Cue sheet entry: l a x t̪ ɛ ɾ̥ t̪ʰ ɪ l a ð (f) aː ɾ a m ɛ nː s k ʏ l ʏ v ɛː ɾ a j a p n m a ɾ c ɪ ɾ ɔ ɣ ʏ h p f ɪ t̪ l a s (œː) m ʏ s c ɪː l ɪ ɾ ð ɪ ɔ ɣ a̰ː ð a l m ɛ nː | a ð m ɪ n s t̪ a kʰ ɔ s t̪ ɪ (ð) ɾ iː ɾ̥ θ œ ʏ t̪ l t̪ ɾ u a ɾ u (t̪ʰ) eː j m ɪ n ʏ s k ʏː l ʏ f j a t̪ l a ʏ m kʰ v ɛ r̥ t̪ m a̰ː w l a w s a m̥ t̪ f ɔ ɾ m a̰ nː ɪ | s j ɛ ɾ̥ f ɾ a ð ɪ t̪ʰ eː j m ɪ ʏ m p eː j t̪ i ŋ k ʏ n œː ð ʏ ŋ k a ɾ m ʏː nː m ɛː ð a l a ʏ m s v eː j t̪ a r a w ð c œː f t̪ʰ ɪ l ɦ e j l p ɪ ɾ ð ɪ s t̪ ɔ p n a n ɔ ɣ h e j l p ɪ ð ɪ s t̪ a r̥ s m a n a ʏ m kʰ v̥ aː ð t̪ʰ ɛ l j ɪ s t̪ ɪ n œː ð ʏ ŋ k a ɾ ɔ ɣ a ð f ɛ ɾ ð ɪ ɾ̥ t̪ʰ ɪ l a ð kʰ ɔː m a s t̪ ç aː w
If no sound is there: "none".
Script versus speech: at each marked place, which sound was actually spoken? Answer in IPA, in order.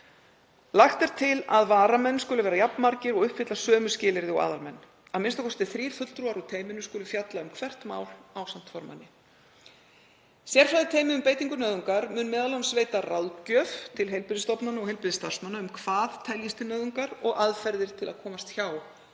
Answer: v, œː, θ, t̪ʰ

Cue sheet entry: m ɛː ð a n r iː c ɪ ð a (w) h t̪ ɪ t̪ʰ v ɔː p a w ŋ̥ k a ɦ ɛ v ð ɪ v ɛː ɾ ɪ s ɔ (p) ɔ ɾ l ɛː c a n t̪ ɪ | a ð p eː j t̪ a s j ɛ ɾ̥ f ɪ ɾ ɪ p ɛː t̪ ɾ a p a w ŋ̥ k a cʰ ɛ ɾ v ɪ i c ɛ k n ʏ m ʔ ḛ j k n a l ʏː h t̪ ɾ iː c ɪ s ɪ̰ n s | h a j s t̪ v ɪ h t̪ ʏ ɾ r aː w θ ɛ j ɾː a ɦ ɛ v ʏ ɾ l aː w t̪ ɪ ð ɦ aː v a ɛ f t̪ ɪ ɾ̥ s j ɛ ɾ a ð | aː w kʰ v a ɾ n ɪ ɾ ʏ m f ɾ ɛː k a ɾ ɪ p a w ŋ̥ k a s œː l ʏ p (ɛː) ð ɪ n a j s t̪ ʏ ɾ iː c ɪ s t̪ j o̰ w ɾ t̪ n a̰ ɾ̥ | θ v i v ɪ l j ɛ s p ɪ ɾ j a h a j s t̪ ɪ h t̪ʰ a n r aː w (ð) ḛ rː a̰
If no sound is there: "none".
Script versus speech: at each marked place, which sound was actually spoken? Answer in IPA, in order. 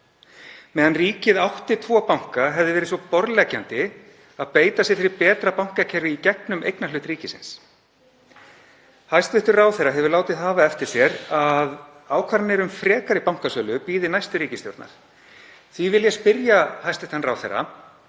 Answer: w, p, iː, θ

